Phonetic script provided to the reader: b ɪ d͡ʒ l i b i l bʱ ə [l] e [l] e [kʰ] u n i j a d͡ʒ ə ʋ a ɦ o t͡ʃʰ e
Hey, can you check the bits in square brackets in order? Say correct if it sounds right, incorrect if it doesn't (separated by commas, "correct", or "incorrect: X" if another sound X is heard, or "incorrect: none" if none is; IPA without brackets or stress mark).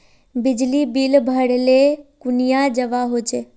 incorrect: ɽ, correct, incorrect: k